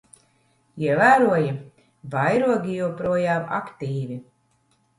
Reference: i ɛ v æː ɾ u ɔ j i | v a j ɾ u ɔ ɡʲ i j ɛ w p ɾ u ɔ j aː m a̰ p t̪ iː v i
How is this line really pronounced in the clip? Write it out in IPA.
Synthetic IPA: i ɛ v æː ɾ u ɔ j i | v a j ɾ u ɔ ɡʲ i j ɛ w p ɾ u ɔ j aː m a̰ k t̪ iː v i